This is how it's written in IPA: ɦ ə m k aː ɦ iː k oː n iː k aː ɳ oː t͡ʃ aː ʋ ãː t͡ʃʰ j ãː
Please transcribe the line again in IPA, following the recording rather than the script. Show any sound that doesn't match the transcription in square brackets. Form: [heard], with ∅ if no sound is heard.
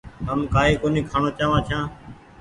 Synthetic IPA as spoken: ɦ ə m k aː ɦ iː k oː n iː [kʰ] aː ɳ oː t͡ʃ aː ʋ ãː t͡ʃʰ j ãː